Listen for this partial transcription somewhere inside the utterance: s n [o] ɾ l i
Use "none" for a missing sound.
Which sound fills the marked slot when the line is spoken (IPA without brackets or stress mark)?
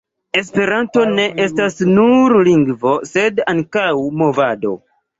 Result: u